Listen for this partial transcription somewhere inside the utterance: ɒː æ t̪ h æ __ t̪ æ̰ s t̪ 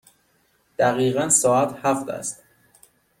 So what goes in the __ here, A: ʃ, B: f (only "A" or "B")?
B